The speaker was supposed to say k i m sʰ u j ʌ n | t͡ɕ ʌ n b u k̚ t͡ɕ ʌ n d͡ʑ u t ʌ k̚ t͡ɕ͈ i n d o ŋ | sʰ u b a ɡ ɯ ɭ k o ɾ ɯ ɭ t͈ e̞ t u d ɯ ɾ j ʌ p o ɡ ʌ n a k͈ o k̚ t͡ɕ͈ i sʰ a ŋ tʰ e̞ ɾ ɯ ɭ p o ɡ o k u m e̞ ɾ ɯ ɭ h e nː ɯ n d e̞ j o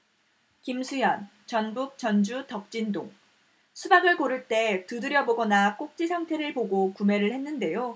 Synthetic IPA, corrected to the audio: k i m sʰ u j ʌ n | t͡ɕ ʌ n b u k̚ t͡ɕ ʌ n d͡ʑ u t ʌ k̚ t͡ɕ͈ i n d o ŋ | sʰ u b a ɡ ɯ ɭ k o ɾ ɯ ɭ t͈ e̞ t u d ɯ ɾ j ʌ b o ɡ ʌ n a k͈ o k̚ t͡ɕ͈ i sʰ a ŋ tʰ e̞ ɾ ɯ ɭ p o ɡ o k u m e̞ ɾ ɯ ɭ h e nː ɯ n d e̞ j o